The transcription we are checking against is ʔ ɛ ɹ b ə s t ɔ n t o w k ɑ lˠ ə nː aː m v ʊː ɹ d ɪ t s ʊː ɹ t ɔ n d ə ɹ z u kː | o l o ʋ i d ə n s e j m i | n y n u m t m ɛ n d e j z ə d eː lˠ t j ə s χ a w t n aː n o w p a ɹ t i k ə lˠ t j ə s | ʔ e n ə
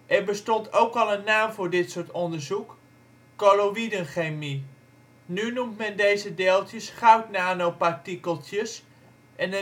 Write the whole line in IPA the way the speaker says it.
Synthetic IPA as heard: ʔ ɛ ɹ b ə s t ɔ n t o w k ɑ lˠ ə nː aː m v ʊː ɹ d ɪ t s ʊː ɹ t ɔ n d ə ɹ z u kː | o l o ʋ i d ə n χ e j m i | n y n u m t m ɛ n d e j z ə d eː lˠ t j ə s χ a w t n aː n o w p a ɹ t i k ə lˠ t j ə s | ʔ ɛ n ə